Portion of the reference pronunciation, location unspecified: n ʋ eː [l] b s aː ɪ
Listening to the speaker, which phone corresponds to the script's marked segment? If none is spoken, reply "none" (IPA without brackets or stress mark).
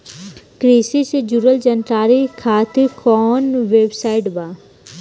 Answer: none